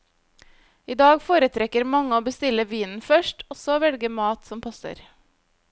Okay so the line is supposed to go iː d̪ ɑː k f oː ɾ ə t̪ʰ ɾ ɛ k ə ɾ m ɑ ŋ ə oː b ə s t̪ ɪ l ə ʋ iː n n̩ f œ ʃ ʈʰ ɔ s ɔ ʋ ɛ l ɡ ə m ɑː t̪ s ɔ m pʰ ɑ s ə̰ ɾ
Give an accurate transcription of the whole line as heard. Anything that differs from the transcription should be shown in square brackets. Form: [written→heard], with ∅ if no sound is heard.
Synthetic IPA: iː d̪ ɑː [k→ɡ] f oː ɾ ə t̪ʰ ɾ ɛ k ə ɾ m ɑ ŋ ə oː b ə s t̪ ɪ l ə ʋ iː n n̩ f œ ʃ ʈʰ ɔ s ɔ ʋ ɛ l ɡ ə m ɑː t̪ s ɔ m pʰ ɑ s ə̰ ɾ